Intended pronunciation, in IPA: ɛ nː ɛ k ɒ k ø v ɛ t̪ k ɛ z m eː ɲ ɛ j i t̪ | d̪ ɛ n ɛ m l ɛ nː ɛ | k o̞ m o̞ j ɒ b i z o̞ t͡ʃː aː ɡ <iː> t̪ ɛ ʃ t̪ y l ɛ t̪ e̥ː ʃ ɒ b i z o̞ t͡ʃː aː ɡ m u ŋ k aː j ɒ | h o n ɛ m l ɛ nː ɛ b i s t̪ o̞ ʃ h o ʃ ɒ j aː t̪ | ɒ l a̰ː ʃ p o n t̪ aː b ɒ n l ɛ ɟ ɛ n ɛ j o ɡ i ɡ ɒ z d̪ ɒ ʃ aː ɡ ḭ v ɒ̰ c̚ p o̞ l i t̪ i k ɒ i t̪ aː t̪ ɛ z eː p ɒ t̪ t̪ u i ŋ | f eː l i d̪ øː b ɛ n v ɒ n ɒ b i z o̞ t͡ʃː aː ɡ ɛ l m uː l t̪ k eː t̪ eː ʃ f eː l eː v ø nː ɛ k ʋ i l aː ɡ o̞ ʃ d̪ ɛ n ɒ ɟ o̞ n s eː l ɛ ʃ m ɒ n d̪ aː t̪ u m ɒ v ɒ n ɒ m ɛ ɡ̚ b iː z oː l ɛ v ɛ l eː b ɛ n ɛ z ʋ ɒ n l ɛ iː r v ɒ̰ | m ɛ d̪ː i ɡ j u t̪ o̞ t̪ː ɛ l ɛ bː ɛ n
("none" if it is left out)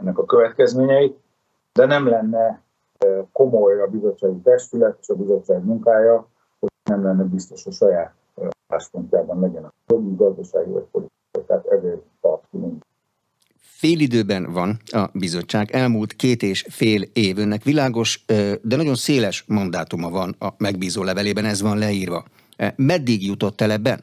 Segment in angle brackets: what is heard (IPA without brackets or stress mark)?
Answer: i